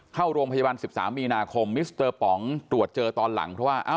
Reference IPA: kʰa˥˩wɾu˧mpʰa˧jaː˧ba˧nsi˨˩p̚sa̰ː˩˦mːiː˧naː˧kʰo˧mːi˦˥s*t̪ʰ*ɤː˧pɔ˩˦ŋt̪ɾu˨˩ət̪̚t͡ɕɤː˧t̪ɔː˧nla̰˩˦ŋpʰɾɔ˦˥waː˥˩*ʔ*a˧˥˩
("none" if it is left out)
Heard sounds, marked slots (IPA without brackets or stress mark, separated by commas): t̪, ʔ